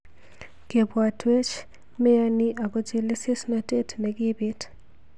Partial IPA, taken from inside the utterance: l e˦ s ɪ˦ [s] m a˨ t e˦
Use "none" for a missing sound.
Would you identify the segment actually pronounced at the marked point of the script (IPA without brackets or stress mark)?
s